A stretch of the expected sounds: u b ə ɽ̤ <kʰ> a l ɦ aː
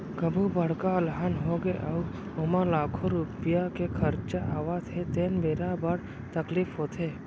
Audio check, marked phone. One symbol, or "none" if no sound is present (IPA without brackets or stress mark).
k